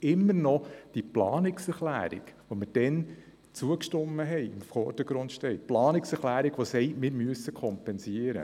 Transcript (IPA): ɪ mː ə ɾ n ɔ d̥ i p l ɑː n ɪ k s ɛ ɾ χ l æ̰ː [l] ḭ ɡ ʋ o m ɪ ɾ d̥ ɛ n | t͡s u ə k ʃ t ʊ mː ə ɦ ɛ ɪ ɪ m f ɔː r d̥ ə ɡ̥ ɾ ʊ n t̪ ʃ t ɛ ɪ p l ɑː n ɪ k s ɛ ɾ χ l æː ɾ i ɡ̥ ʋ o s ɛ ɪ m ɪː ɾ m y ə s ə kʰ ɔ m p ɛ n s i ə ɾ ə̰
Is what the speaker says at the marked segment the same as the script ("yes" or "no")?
no